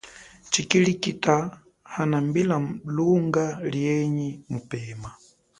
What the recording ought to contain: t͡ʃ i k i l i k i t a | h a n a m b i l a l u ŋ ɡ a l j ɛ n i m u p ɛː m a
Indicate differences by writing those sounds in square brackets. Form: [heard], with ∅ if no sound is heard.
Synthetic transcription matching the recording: t͡ʃ i k i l i k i t a | h a n a m b i l a l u ŋ ɡ a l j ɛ [ɲ] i m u p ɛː m a